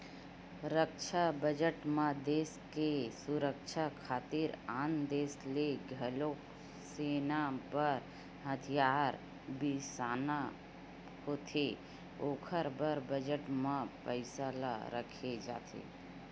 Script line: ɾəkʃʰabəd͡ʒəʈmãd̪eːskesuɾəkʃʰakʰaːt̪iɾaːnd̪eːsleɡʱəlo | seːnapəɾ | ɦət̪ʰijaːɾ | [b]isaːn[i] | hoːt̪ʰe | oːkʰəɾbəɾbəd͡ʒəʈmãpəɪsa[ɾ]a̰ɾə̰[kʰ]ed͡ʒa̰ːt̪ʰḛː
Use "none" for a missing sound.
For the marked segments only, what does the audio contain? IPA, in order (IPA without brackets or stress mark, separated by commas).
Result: b, a, l, kʰ